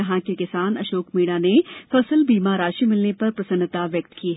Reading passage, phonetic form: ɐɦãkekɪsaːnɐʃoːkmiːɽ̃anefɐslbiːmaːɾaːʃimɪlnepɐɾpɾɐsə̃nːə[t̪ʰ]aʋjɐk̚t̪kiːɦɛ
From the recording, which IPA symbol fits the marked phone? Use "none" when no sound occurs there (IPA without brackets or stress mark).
t̪